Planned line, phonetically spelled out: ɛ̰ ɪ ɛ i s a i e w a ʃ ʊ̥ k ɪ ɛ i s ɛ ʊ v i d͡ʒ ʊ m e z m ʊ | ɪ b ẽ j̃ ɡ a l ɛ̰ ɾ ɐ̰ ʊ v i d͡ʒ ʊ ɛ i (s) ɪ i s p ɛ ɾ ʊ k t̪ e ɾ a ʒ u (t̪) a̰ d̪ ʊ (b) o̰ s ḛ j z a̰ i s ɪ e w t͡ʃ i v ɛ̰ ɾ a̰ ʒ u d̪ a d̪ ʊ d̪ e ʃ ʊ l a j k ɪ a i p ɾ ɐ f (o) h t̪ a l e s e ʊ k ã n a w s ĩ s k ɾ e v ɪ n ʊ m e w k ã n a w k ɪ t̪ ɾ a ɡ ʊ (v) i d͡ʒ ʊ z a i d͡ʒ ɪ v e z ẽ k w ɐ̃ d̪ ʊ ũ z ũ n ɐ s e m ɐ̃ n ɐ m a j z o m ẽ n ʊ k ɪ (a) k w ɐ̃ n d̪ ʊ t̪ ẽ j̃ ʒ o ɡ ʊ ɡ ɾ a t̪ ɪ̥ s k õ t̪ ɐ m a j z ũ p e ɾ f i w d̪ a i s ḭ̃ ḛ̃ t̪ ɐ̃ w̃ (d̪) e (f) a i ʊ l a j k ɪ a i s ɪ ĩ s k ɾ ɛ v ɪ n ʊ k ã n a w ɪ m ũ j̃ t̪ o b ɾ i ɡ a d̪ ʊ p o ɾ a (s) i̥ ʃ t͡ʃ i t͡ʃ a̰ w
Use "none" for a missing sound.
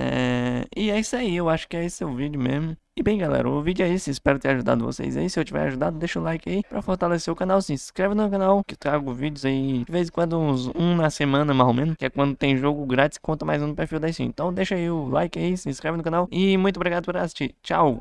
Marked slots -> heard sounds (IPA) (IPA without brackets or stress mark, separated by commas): s, d̪, v, o, v, ɛ, d̪, ʃ, s